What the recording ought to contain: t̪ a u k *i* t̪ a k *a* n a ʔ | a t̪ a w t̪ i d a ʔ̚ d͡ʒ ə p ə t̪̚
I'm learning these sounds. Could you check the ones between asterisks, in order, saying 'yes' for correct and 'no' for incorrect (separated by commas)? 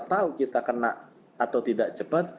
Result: yes, no